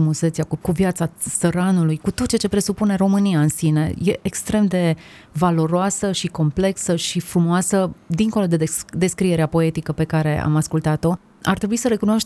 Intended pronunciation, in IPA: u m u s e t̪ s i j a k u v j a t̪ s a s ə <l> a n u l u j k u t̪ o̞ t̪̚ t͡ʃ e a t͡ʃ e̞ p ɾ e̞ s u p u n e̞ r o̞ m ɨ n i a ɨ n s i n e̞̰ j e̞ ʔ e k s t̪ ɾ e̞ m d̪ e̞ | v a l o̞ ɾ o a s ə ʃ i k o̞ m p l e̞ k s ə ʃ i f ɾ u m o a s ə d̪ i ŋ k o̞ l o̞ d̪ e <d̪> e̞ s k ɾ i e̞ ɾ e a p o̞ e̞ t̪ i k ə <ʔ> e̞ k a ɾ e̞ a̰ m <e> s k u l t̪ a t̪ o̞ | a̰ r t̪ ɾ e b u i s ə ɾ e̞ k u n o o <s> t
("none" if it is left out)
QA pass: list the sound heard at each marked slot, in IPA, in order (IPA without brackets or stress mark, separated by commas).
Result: ɾ, d̪, p, a, ʃ